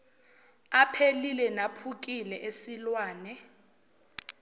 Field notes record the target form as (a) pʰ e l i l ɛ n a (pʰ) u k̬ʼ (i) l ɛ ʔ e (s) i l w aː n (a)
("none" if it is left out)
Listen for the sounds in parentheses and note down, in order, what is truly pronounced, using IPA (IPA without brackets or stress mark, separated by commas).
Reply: a, pʰ, i, s, ɛ